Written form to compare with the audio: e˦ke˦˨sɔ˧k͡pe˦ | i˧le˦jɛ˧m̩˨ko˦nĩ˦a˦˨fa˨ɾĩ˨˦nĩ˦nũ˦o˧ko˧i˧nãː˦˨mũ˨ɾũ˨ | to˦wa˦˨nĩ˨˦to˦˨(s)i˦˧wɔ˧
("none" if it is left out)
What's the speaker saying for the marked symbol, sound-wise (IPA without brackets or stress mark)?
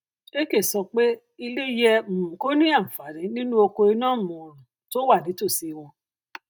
s